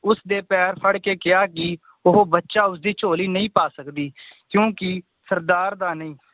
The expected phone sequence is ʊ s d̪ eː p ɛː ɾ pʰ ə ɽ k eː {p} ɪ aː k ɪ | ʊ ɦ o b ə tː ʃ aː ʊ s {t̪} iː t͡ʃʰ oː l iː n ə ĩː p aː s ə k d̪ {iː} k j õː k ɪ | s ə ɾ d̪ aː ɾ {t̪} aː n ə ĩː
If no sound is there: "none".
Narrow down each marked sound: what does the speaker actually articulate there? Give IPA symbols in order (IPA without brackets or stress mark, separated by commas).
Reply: k, d̪, iː, d̪